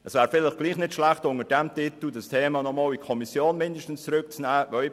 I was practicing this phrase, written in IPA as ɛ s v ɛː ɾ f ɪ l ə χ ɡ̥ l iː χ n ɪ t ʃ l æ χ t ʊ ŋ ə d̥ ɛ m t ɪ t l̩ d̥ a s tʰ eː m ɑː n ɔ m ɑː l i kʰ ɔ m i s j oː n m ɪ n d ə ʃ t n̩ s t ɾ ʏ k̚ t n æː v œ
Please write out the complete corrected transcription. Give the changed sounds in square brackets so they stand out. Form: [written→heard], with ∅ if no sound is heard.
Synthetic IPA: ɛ s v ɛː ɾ f ɪ l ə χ ɡ̥ l iː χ n ɪ t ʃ l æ χ t ʊ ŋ ə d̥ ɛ m t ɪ t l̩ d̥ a s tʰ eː m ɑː n ɔ m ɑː l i kʰ ɔ m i s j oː n m ɪ n d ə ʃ t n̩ s [t→t͡s] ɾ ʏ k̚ [t→t͡s] n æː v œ